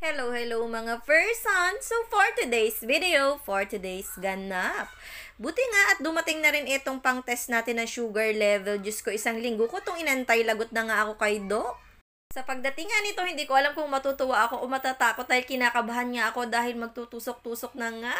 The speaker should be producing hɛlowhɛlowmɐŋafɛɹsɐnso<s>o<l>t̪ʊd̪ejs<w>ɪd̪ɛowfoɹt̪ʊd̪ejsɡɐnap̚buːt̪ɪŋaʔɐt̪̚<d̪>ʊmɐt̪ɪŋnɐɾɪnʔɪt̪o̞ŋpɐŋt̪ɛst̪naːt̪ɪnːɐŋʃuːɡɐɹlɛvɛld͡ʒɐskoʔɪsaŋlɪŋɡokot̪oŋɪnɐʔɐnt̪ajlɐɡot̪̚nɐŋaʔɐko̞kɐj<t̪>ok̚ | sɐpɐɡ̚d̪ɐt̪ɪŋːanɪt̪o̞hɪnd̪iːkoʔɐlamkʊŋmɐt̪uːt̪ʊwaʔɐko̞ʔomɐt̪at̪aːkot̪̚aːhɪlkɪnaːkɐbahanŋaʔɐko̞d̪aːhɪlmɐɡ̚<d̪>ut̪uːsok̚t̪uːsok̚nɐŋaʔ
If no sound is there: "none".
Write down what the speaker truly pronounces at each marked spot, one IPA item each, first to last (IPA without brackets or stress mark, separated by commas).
f, ɹ, v, d̪, d̪, t̪